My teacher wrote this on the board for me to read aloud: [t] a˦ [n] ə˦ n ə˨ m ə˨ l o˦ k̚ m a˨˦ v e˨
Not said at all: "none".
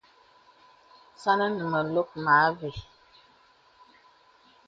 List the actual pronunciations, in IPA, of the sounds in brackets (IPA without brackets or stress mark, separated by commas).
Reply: s, n